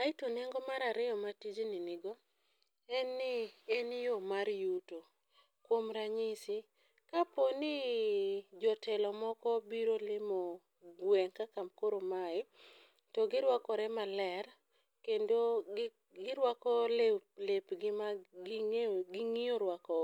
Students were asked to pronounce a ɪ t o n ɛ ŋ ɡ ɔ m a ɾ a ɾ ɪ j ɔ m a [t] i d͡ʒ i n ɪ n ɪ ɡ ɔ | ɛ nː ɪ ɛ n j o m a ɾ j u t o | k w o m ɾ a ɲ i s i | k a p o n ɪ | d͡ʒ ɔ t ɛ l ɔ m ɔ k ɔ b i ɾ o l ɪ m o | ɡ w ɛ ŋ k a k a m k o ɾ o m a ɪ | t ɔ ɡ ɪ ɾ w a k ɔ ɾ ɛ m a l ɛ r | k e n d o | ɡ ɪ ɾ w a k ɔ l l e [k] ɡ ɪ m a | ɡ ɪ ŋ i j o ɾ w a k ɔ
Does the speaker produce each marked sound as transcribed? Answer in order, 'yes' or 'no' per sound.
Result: yes, no

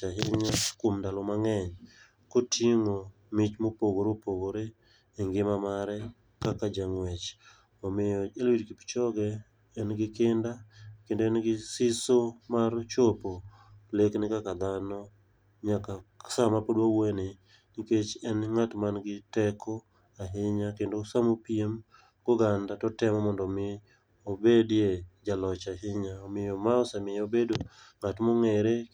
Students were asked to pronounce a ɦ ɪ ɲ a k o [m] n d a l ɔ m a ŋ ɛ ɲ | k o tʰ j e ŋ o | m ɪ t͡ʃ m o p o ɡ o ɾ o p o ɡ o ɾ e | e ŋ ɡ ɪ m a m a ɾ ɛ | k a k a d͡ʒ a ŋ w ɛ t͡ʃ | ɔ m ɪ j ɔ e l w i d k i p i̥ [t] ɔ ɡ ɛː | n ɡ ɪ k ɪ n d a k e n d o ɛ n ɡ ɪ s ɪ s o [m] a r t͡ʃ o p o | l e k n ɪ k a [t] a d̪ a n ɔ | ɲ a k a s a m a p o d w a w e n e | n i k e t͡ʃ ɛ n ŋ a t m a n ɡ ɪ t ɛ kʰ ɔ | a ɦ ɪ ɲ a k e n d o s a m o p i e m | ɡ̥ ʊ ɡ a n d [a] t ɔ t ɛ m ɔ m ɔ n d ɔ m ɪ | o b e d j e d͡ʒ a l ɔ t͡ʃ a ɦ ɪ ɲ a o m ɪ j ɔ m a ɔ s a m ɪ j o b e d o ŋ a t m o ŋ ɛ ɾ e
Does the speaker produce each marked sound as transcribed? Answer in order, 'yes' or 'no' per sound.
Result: yes, no, yes, no, yes

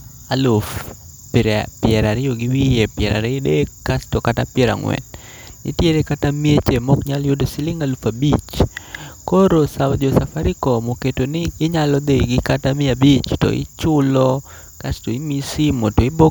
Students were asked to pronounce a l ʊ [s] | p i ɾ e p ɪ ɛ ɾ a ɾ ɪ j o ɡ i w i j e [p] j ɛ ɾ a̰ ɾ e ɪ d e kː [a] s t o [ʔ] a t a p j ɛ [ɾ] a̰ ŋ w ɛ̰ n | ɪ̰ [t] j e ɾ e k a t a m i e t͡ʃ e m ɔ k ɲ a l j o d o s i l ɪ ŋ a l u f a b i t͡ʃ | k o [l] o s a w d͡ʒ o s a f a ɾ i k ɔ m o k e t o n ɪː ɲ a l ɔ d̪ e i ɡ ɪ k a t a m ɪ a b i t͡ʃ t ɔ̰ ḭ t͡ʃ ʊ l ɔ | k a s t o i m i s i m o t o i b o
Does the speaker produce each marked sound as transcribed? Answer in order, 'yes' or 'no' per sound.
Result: no, yes, yes, no, yes, yes, no

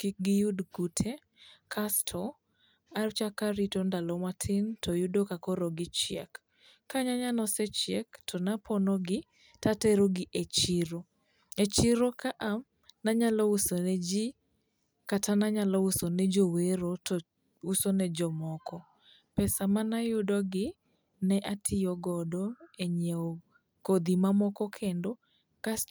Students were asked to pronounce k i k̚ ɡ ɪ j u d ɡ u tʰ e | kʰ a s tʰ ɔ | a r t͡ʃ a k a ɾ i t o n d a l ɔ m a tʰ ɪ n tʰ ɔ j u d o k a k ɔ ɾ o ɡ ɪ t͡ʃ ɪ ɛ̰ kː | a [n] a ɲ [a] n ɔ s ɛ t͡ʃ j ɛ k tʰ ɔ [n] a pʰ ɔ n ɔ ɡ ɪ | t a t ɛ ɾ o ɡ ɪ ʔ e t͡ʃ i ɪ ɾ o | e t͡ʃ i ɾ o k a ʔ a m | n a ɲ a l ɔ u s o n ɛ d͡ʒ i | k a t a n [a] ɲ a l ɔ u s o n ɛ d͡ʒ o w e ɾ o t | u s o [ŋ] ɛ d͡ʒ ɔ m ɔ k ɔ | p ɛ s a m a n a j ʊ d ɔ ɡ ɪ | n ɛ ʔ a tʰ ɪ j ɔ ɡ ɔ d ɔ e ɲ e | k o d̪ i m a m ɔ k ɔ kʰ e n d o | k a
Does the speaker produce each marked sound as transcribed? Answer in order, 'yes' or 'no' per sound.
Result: no, yes, yes, yes, no

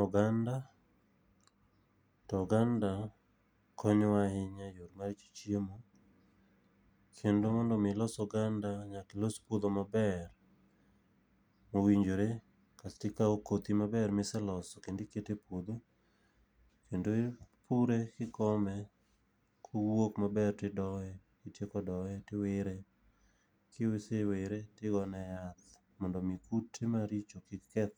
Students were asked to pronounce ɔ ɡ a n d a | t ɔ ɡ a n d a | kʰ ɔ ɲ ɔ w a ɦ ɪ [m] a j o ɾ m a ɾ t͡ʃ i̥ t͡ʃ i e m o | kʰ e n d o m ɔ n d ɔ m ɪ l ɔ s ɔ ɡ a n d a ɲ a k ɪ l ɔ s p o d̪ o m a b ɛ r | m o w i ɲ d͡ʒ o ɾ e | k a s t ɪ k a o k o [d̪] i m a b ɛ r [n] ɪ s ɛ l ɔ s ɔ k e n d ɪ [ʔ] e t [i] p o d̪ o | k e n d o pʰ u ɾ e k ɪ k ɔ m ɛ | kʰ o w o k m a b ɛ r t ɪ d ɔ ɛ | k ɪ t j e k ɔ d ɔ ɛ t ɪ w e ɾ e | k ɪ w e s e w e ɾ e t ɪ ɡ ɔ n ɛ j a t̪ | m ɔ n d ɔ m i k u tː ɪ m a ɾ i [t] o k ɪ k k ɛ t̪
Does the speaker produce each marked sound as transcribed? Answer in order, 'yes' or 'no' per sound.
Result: no, no, no, no, no, no

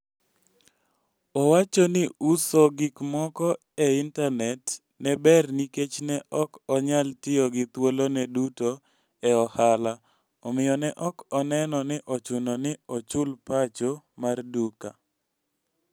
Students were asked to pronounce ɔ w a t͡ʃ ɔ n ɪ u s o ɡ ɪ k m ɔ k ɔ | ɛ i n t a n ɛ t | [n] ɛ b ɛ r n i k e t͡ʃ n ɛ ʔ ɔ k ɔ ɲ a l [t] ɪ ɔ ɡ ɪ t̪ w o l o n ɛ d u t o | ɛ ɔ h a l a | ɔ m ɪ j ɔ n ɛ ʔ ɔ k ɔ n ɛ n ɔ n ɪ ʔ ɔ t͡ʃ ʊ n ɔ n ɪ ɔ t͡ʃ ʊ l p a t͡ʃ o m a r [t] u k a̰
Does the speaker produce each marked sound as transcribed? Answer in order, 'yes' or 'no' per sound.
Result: yes, yes, no

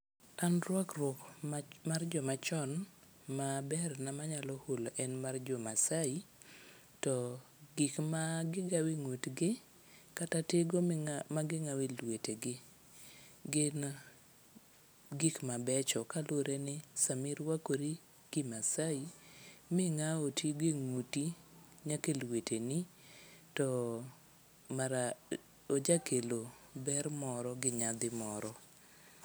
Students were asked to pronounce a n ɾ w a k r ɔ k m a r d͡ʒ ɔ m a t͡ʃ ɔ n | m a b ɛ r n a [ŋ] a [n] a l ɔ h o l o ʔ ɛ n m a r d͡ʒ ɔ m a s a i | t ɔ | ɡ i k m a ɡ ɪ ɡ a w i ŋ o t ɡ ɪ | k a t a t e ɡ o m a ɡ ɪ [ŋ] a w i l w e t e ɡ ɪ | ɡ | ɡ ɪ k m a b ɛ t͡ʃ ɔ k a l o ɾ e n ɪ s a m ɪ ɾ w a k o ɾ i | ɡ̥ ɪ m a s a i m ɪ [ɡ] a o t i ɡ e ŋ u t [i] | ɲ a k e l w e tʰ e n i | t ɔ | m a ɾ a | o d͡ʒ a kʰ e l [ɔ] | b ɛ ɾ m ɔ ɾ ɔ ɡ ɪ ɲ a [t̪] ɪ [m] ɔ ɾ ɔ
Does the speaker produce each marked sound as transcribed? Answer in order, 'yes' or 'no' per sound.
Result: no, no, yes, no, yes, no, no, yes

